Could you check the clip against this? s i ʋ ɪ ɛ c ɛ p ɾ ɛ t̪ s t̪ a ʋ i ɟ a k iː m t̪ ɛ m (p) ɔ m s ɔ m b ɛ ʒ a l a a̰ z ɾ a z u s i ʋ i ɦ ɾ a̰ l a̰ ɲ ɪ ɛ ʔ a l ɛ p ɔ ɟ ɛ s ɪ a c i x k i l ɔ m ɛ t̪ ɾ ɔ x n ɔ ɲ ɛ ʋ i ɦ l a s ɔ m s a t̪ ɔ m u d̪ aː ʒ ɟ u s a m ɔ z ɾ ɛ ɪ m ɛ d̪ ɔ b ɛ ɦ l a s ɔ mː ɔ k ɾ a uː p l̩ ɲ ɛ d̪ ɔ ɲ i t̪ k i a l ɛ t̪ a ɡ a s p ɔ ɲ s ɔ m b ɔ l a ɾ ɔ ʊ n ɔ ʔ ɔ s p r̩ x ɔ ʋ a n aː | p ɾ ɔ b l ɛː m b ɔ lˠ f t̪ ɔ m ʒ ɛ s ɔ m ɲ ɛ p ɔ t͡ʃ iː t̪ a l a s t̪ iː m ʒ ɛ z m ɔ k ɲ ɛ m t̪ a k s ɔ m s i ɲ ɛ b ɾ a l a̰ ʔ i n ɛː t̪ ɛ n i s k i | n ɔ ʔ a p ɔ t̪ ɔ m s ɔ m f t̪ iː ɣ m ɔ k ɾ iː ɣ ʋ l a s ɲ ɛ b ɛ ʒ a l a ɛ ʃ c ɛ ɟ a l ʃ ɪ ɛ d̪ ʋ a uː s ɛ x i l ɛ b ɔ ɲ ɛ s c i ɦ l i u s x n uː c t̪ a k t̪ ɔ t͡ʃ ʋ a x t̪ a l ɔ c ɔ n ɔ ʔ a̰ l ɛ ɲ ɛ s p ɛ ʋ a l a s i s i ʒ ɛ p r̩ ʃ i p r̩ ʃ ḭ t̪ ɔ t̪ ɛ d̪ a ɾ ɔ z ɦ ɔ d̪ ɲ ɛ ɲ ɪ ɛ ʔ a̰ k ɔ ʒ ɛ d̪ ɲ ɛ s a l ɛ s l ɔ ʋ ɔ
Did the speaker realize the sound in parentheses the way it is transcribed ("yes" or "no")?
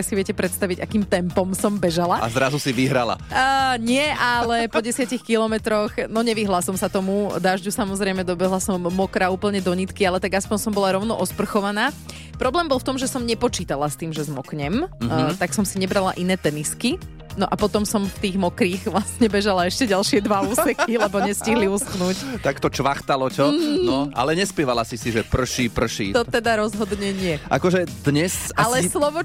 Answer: yes